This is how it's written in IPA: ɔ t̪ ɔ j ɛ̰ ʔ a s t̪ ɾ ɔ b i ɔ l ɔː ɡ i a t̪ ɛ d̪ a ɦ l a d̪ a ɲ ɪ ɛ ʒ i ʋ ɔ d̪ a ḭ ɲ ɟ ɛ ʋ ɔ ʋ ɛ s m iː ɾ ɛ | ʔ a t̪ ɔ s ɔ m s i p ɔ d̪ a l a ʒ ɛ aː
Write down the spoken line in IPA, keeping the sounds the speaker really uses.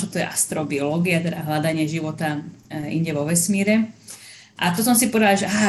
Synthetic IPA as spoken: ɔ t̪ ɔ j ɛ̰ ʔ a s t̪ ɾ ɔ b i ɔ l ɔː ɡ i a t̪ ɛ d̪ a ɦ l a d̪ a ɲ ɪ ɛ ʒ i ʋ ɔ t̪ a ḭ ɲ ɟ ɛ ʋ ɔ ʋ ɛ s m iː ɾ ɛ | ʔ a t̪ ɔ s ɔ m s i p ɔ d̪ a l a ʒ ɛ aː